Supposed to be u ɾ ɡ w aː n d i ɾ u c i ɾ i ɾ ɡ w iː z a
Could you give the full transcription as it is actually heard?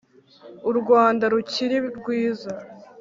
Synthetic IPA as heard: u ɾ ɡ w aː n d a ɾ u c i ɾ i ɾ ɡ w iː z a